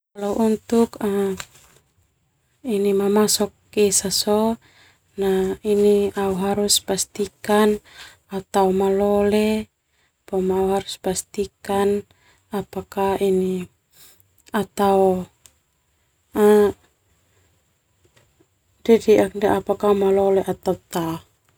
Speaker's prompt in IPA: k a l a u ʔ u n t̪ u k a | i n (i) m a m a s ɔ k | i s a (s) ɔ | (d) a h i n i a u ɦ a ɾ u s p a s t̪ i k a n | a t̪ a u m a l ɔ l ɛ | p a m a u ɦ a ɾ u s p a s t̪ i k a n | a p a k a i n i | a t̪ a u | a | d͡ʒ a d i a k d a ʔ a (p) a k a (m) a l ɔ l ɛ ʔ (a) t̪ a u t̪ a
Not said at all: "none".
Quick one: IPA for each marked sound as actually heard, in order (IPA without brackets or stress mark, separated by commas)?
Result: i, s, n, p, m, a